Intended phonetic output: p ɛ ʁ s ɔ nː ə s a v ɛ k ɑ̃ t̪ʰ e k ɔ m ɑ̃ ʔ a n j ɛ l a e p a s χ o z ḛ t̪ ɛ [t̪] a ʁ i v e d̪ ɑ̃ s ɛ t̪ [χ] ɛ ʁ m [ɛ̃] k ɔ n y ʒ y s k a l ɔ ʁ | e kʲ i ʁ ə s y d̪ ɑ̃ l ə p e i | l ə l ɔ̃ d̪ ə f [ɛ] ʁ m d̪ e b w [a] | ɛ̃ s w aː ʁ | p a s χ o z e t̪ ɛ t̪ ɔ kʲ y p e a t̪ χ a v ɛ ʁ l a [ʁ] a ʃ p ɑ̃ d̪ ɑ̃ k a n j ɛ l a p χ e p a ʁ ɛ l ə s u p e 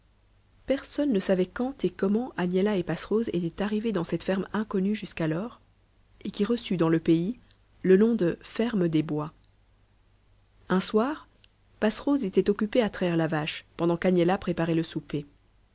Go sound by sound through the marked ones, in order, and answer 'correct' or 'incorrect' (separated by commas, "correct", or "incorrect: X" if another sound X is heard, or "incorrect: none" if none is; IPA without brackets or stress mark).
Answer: correct, incorrect: f, correct, correct, correct, incorrect: v